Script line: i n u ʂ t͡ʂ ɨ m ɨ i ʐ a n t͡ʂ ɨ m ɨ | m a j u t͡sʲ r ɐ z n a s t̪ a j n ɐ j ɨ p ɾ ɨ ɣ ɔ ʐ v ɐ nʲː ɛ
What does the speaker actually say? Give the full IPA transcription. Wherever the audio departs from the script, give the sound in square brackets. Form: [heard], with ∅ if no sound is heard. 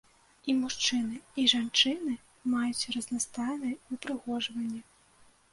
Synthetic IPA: i [m] u ʂ t͡ʂ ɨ [n] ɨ i ʐ a n t͡ʂ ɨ [n] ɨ | m a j u t͡sʲ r ɐ z n a s t̪ a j n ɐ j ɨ p ɾ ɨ ɣ ɔ ʐ v ɐ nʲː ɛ